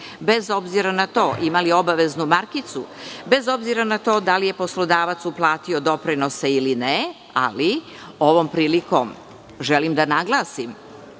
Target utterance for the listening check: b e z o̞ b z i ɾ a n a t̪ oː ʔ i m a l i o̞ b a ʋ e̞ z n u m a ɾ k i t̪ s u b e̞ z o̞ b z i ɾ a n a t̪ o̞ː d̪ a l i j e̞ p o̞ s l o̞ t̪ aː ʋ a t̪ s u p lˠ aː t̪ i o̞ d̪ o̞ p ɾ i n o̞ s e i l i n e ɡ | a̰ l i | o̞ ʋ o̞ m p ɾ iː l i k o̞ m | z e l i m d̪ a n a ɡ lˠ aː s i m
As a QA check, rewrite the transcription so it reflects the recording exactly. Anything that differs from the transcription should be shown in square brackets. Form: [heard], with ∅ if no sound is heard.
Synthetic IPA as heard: b e z o̞ b z i ɾ a n a t̪ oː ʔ i m a l i o̞ b a ʋ e̞ z n u m a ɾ k i t̪ s u b e̞ z o̞ b z i ɾ a n a t̪ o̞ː d̪ a l i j e̞ p o̞ s l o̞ [d̪] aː ʋ a t̪ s u p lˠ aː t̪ i o̞ d̪ o̞ p ɾ i n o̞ s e i l i n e [∅] | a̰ l i | o̞ ʋ o̞ m p ɾ iː l i k o̞ m | [ʒ] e l i m d̪ a n a ɡ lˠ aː s i m